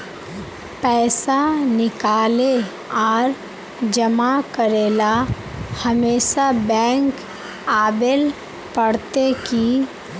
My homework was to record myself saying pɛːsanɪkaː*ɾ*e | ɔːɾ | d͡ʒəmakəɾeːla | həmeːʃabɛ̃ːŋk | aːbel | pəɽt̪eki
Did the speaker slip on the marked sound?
yes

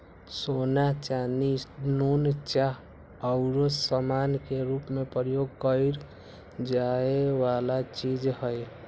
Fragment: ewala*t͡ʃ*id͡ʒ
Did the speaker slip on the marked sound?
no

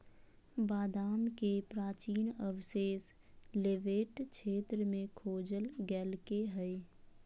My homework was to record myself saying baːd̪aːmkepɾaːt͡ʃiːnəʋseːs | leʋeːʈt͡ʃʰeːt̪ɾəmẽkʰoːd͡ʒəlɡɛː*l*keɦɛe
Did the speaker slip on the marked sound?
no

